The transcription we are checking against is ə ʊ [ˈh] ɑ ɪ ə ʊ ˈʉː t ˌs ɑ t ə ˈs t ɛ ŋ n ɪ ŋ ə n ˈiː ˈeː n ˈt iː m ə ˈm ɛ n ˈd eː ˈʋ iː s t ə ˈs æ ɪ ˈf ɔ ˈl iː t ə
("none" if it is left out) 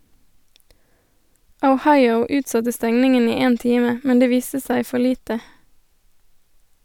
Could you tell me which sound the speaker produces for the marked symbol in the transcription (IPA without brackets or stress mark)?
h